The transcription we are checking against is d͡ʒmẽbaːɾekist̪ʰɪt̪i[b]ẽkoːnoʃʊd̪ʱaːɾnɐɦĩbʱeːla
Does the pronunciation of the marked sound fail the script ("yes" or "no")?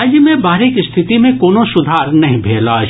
yes